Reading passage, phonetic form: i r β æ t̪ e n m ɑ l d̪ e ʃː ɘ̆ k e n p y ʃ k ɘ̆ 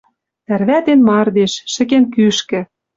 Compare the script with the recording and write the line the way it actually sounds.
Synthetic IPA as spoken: æ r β æ t̪ e n m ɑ r d̪ e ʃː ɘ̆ k e n k y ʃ k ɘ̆